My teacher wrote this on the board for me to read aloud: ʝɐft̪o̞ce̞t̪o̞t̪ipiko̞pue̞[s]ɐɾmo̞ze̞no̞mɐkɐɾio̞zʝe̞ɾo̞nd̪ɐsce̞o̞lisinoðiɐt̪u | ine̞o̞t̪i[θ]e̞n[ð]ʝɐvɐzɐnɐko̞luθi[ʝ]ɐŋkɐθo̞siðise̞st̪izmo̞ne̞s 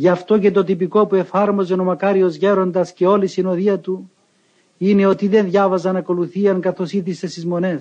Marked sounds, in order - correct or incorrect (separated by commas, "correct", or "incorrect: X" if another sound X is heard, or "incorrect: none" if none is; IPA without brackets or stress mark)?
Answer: incorrect: f, incorrect: ð, correct, incorrect: none